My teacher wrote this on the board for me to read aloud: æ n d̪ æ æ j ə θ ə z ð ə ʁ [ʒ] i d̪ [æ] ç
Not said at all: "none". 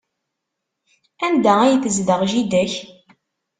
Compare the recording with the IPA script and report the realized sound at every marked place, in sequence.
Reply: ʒ, æ

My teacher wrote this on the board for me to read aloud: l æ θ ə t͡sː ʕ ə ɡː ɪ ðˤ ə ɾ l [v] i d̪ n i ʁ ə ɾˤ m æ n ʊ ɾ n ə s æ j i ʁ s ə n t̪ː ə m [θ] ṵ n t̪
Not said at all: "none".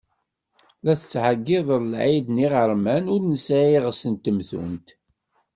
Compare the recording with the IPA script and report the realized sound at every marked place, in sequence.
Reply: ʕ, θ

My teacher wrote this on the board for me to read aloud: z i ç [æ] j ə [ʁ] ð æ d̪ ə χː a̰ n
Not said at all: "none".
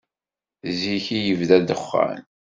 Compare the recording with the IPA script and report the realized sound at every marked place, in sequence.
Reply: i, v

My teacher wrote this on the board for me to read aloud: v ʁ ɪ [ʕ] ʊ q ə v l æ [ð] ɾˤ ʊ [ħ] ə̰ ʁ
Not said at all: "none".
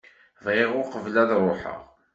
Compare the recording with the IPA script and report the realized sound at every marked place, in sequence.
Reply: ʁ, ð, ħ

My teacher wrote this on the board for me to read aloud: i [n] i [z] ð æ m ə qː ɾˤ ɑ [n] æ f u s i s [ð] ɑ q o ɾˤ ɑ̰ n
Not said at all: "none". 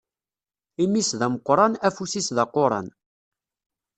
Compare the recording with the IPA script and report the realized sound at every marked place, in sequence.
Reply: m, s, n, ð

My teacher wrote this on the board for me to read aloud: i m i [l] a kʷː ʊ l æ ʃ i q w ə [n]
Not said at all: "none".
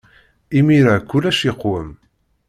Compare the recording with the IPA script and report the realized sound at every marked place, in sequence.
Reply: ɾ, m

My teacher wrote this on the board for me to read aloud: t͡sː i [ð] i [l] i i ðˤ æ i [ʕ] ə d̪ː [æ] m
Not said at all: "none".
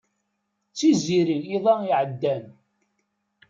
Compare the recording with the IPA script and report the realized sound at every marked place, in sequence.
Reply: z, ɾ, ʕ, æ

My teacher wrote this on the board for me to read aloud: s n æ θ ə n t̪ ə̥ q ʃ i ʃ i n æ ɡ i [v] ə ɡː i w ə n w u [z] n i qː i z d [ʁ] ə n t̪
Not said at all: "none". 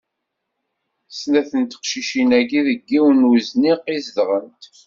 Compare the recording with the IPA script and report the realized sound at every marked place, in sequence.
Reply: ð, z, ʁ

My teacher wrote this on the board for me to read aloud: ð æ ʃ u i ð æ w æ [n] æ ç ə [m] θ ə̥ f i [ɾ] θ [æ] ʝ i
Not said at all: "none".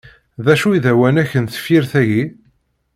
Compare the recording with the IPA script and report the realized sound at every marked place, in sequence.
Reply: n, n, ɾ, æ

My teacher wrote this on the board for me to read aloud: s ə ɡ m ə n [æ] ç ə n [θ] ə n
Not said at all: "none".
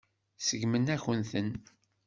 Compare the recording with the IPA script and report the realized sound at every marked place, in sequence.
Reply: æ, θ

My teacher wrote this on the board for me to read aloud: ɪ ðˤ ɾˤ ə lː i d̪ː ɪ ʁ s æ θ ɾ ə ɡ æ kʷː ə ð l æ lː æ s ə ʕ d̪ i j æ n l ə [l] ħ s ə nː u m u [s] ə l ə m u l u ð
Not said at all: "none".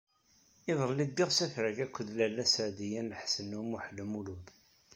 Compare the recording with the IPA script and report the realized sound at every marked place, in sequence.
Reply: none, ħ

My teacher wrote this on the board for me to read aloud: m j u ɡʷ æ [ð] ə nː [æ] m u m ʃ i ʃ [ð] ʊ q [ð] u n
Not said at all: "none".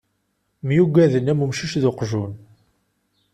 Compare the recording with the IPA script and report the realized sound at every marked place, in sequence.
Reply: ð, æ, ð, ʒ

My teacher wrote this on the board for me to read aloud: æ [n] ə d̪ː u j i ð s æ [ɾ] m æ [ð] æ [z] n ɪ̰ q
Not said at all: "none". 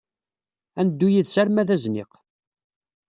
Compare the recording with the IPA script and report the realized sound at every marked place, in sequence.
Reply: n, ɾ, ð, z

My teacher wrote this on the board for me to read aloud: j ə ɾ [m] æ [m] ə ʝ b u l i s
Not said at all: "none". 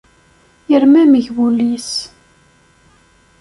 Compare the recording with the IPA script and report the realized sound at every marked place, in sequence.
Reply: m, m

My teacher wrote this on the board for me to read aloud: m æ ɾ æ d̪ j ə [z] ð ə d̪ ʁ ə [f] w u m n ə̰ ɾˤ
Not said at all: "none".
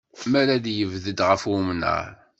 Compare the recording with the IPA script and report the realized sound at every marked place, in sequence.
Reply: v, f

